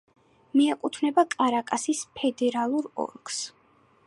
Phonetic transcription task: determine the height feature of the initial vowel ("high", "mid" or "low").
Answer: high